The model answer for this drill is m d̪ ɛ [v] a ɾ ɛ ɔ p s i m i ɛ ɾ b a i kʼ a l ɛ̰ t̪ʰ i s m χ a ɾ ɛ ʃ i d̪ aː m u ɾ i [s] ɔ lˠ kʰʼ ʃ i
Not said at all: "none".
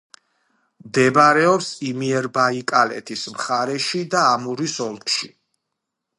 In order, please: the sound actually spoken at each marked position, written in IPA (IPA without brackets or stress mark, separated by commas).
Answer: b, s